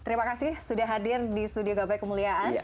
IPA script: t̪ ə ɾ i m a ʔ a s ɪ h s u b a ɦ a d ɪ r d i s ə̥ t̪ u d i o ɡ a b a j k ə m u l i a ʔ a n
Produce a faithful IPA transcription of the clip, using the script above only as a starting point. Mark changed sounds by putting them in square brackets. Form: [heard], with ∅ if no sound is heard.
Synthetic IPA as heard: t̪ ə ɾ i m a [k] a s ɪ h s u [d] a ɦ a d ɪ r d i s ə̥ t̪ u d i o ɡ a b a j k ə m u l i a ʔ a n